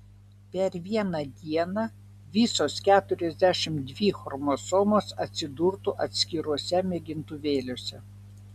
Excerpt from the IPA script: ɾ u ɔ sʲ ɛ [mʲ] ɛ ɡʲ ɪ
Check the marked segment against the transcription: correct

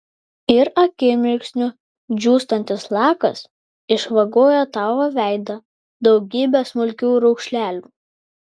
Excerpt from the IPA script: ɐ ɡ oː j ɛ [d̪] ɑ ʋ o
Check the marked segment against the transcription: incorrect: t̪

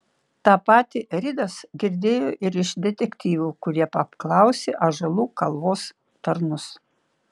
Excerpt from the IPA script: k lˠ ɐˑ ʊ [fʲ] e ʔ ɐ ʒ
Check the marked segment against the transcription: incorrect: sʲ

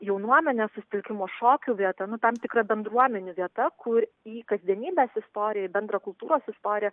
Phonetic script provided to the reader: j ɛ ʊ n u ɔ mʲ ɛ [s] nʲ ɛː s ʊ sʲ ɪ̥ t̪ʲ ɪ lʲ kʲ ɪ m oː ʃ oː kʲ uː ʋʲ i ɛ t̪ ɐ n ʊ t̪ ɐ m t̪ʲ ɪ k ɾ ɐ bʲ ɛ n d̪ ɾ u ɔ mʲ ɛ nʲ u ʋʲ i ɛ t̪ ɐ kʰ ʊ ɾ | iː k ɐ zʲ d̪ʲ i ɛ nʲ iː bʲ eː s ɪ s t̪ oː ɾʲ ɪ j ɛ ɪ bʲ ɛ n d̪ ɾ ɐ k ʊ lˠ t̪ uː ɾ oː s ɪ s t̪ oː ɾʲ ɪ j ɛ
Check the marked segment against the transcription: incorrect: none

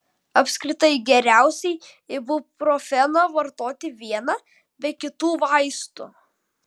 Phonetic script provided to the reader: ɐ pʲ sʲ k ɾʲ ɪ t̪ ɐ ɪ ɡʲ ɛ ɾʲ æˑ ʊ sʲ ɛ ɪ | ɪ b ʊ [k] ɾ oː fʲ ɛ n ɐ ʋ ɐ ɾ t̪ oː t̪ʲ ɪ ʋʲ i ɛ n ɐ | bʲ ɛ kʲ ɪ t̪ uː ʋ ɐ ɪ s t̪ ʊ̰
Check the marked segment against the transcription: incorrect: p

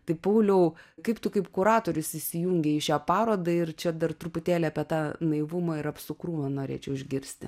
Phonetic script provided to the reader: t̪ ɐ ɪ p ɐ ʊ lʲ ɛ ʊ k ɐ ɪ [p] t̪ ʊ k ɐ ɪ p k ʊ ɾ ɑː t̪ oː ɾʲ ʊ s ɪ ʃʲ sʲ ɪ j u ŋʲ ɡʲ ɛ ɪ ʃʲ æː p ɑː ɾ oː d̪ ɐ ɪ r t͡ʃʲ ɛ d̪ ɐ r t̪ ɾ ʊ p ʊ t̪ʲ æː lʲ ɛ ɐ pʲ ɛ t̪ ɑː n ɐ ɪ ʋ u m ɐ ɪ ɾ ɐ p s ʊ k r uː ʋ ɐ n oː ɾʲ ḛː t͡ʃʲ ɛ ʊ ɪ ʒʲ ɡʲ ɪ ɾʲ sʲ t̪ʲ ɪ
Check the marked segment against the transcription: correct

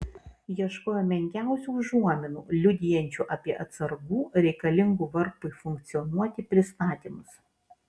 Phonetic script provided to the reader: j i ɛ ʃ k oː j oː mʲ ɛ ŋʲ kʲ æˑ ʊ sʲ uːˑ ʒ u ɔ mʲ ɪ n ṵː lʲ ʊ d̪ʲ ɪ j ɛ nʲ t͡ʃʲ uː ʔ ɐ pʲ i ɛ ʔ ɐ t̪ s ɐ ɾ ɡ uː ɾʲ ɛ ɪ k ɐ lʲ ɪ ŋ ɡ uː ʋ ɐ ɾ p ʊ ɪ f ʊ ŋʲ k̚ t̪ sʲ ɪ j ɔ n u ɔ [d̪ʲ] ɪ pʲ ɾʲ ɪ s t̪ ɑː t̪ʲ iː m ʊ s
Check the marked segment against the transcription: incorrect: t̪ʲ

